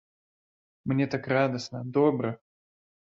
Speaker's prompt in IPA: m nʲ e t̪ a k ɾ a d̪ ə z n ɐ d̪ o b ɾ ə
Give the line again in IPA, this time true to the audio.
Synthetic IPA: m nʲ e t̪ a k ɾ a d̪ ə s n ə d̪ o b ɾ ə